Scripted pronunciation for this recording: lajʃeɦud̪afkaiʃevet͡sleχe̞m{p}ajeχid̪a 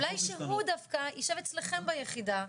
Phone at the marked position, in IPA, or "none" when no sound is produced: b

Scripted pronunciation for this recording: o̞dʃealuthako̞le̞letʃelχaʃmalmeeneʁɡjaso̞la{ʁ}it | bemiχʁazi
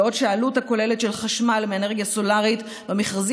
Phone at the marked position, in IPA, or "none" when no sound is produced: ʁ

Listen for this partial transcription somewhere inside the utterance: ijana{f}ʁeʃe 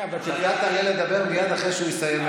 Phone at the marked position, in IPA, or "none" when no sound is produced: χ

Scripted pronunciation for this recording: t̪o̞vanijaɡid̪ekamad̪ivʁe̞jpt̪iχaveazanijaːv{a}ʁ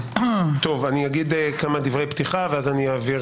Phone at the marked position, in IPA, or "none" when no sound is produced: i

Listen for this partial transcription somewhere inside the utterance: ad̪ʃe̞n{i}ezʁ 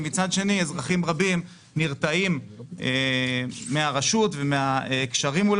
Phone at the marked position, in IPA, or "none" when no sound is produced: i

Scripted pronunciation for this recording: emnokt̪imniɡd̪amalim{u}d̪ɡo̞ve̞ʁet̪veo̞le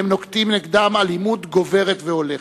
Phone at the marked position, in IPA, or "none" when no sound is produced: u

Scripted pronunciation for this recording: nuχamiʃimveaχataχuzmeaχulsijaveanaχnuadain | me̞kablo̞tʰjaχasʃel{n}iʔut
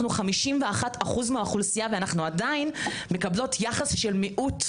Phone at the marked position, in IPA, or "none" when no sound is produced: m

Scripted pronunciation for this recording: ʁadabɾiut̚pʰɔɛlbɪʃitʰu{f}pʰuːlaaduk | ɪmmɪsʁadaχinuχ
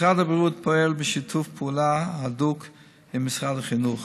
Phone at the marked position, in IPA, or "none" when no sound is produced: f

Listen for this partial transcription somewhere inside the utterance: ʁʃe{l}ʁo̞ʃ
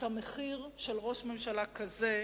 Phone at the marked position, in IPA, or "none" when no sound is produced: l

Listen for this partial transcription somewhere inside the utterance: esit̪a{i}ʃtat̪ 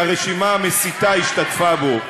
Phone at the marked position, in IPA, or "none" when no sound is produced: i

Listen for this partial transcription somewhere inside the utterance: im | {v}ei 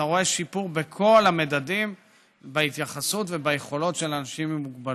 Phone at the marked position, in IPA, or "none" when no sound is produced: b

